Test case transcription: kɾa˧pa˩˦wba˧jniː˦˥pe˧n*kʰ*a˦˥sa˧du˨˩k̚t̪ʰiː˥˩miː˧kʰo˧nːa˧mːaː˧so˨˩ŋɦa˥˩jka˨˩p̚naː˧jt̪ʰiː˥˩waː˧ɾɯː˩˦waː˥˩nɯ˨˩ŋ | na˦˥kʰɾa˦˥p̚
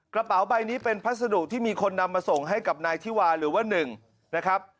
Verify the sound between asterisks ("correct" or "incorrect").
incorrect